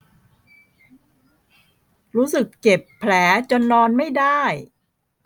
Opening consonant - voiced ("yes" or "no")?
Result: yes